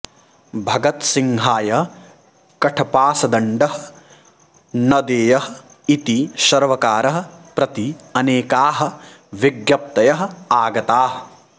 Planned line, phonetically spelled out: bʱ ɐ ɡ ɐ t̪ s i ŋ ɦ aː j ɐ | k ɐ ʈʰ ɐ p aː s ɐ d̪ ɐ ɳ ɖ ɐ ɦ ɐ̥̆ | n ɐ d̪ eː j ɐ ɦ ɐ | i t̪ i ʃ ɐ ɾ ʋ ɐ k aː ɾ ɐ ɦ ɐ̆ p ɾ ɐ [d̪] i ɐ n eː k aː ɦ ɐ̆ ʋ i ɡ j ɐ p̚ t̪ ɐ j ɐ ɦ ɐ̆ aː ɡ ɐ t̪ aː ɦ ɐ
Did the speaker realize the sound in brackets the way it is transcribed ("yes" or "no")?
no